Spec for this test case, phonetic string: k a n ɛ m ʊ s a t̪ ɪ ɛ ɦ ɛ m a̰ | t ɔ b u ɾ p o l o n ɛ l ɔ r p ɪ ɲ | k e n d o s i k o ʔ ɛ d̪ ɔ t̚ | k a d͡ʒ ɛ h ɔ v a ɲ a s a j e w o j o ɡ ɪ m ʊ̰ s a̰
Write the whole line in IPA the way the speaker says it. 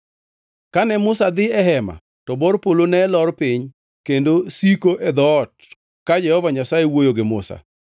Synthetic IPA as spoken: k a n ɛ m ʊ s a d̪ ɪ ɛ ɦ ɛ m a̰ | t ɔ b ɔ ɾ p o l o n ɛ l ɔ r p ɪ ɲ | k e n d o s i k o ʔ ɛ d̪ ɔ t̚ | k a d͡ʒ ɛ h ɔ v a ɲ a s a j e w o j o ɡ ɪ m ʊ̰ s a̰